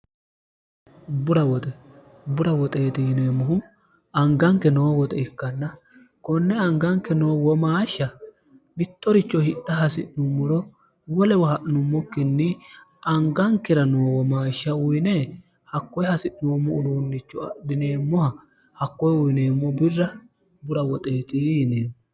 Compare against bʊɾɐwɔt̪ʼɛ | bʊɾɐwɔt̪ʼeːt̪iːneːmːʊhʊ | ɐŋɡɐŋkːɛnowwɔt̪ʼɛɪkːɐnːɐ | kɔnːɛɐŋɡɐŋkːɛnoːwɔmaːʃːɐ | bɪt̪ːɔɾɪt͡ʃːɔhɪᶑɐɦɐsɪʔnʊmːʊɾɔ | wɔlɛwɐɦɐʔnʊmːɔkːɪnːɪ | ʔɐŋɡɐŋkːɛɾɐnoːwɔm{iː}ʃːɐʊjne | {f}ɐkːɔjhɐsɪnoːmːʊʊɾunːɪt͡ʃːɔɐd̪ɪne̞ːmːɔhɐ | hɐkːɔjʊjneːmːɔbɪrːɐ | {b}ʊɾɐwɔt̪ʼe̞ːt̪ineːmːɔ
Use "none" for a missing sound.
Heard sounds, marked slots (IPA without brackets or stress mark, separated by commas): aː, h, b